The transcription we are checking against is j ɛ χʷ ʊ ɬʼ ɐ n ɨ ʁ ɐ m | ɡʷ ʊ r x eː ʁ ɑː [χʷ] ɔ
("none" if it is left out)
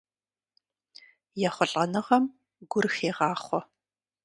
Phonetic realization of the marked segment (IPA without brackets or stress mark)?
χʷ